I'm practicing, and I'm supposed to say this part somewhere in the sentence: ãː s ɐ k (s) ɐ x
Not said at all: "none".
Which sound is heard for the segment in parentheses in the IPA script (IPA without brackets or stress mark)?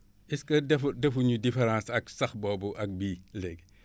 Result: s